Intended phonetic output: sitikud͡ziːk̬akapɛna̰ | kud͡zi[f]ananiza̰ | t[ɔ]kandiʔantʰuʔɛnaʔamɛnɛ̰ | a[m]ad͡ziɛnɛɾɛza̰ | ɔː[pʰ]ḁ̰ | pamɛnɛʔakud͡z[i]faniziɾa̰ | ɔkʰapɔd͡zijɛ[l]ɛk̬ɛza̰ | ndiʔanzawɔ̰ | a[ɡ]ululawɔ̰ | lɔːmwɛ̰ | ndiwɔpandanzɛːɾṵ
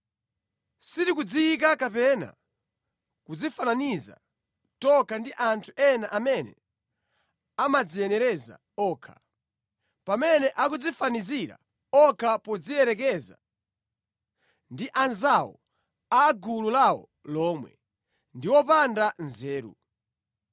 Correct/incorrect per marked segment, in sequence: correct, correct, correct, incorrect, correct, incorrect, correct

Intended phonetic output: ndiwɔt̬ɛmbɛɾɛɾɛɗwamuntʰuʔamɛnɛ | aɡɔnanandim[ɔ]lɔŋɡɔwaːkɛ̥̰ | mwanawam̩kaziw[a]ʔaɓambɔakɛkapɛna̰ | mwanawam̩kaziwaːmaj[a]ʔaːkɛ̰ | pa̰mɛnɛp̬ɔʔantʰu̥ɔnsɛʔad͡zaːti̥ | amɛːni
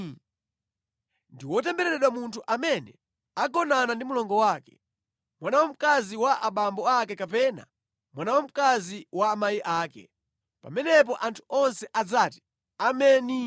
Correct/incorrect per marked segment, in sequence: incorrect, correct, incorrect

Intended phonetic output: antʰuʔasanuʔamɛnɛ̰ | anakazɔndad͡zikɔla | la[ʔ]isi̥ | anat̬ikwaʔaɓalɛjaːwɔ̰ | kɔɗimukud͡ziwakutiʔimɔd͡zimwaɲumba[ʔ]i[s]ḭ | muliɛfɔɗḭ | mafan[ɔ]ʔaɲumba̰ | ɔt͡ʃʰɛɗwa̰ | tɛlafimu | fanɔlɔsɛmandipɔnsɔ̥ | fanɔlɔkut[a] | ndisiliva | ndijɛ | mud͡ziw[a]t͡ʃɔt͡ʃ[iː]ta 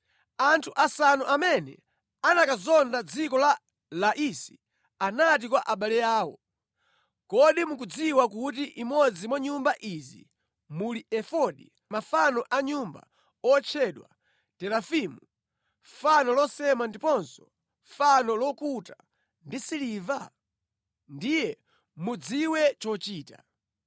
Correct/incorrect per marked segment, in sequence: correct, correct, incorrect, correct, correct, incorrect, correct

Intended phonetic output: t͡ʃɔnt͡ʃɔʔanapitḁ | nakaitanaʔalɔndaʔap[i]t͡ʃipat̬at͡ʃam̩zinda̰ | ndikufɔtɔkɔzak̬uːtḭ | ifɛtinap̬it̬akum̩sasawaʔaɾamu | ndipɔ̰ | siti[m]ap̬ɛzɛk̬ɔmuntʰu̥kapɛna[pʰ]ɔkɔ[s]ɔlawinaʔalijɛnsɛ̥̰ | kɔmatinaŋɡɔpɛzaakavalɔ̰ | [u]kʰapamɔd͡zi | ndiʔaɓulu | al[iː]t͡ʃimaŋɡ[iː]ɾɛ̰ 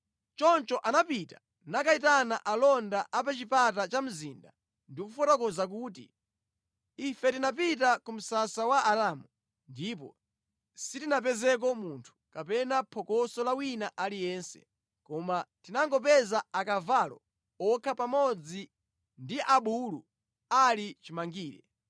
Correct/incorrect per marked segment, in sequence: incorrect, incorrect, correct, correct, incorrect, incorrect, correct

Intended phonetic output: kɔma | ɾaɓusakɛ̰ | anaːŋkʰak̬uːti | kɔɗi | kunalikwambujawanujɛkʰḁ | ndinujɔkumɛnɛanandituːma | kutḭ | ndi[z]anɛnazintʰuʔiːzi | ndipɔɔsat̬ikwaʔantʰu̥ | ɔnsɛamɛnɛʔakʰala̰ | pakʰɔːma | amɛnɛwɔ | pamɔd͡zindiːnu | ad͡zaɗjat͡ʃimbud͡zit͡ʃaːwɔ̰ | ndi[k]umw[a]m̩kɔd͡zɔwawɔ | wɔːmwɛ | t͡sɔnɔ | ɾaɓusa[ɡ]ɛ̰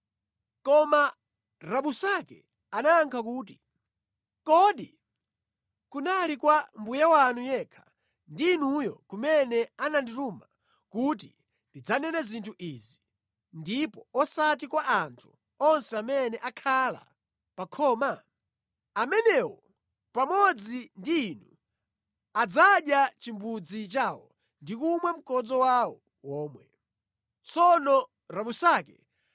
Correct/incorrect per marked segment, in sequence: incorrect, correct, incorrect, incorrect

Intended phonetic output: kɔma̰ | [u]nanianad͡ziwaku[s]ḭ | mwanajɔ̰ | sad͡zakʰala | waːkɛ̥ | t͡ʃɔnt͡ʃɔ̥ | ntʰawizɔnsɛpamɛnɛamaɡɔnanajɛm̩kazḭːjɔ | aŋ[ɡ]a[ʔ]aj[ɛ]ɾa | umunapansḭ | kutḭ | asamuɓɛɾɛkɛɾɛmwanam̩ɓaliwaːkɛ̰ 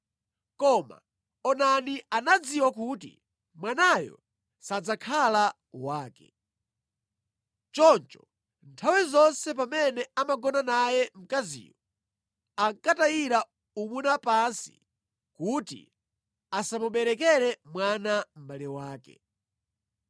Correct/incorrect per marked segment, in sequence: incorrect, incorrect, incorrect, incorrect, incorrect

